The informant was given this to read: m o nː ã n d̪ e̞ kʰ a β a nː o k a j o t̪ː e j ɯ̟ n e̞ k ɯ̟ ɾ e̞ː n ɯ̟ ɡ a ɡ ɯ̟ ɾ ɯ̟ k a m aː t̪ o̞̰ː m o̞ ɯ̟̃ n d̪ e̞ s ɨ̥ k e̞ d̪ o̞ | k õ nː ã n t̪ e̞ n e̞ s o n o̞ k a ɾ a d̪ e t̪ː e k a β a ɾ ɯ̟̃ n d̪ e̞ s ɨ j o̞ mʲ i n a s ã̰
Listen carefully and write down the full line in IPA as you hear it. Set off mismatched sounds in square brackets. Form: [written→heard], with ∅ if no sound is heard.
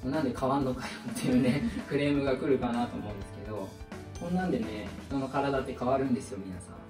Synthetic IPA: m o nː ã n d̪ e̞ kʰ a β a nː o k a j o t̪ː e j ɯ̟ n e̞ k ɯ̟ ɾ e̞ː [n→m] ɯ̟ ɡ a [ɡ→k] ɯ̟ ɾ ɯ̟ k a [m→n] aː t̪ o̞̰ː m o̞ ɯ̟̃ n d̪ e̞ s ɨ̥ k e̞ d̪ o̞ | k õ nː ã n [t̪→d̪] e̞ n e̞ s o n o̞ k a ɾ a d̪ [e→a] t̪ː e k a β a ɾ ɯ̟̃ n d̪ e̞ s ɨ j o̞ mʲ i n a s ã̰